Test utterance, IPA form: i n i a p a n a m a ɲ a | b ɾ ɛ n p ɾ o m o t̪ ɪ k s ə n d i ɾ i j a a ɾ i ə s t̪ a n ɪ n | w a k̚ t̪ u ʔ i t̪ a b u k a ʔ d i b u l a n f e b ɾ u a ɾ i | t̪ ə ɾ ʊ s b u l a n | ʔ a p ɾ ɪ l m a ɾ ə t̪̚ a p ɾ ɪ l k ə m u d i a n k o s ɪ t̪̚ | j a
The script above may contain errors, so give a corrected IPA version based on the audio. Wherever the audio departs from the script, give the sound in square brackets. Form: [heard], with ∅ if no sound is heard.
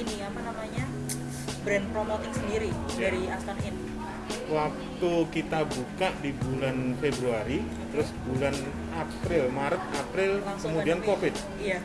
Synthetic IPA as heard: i n i a p a n a m a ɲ a | b ɾ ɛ n p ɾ o m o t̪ ɪ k s ə n d i ɾ i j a a ɾ i [a] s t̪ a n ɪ n | w a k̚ t̪ u [k] i t̪ a b u k a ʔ d i b u l a n f e b ɾ u a ɾ i | t̪ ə ɾ ʊ s b u l a n | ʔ a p ɾ ɪ l m a ɾ ə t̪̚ a p ɾ ɪ l k ə m u d i a n k o [f] ɪ t̪̚ | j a